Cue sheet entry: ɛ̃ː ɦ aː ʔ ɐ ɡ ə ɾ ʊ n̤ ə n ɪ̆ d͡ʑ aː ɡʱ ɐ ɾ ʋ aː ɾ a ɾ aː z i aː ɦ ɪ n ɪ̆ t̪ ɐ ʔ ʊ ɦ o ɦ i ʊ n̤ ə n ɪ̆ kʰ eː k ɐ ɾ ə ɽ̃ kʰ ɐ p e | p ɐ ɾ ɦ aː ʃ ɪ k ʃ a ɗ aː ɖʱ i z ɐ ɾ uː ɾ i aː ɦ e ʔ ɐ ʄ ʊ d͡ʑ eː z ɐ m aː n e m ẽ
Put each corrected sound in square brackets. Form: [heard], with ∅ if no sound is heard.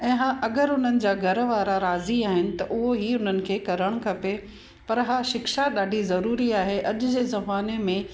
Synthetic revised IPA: ɛ̃ː ɦ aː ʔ ɐ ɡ ə ɾ ʊ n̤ ə n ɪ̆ d͡ʑ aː ɡʱ ɐ ɾ ʋ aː ɾ a ɾ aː z i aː ɦ ɪ n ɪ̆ t̪ ɐ ʔ ʊ ɦ o ɦ i ʊ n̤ ə n ɪ̆ kʰ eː k ɐ ɾ ə ɽ̃ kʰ ɐ p e | p ɐ ɾ ɦ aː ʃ ɪ k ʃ a ɗ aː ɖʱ i z ɐ ɾ uː ɾ i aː ɦ e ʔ ɐ ʄ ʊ d͡ʑ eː z ɐ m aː n e m ẽ